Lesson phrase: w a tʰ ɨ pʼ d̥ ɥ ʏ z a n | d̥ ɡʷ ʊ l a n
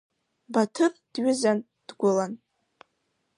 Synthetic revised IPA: b a tʰ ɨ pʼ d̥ ɥ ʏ z a n | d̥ ɡʷ ʊ l a n